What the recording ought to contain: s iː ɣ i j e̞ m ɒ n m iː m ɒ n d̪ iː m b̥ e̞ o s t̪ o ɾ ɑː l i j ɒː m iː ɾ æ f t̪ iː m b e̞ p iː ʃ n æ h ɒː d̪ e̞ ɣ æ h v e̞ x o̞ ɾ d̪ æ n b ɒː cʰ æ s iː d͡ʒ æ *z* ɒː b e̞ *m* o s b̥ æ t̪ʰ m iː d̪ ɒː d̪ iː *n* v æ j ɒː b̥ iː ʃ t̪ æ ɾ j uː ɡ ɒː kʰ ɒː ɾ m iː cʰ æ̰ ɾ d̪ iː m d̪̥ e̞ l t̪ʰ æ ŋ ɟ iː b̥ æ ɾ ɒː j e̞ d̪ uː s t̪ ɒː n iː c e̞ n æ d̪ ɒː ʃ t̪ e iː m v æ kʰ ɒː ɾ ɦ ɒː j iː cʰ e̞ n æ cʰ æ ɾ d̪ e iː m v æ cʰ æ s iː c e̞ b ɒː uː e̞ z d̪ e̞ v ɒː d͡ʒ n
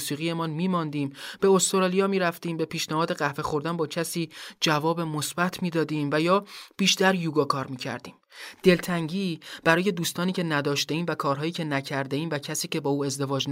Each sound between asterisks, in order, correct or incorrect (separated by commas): incorrect, correct, incorrect